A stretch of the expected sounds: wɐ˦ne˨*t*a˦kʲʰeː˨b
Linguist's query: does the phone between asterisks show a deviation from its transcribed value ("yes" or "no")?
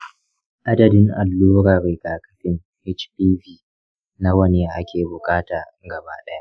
yes